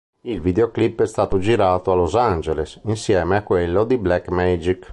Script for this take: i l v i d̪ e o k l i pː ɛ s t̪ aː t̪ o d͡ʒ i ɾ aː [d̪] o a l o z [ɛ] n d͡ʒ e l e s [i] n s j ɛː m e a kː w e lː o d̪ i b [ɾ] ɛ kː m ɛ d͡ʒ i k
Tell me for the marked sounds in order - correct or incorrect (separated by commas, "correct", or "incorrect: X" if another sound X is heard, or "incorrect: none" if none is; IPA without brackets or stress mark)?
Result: incorrect: t̪, incorrect: a, correct, incorrect: l